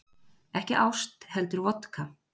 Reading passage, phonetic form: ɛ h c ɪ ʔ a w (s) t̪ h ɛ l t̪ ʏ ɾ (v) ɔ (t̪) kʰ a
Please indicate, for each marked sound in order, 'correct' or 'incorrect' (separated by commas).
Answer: correct, correct, correct